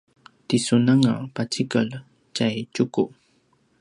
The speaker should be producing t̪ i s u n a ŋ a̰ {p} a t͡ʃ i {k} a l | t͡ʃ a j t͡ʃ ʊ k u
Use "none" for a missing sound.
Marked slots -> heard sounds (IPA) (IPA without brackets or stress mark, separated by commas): p, k